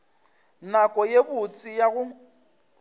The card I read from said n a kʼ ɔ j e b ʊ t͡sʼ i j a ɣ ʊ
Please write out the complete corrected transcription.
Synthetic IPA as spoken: n a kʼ ɔ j e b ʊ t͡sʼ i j a ɣ ʊ